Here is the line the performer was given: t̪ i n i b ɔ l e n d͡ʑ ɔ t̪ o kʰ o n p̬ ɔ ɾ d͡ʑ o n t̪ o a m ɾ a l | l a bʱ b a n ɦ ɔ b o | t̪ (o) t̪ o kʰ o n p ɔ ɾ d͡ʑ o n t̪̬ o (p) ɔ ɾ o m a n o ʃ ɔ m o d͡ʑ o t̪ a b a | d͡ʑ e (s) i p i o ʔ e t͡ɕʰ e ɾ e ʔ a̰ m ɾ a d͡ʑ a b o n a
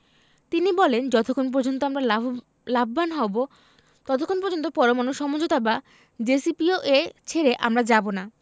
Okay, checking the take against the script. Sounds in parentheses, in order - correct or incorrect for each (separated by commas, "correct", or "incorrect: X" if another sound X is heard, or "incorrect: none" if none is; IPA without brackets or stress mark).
incorrect: ɔ, correct, correct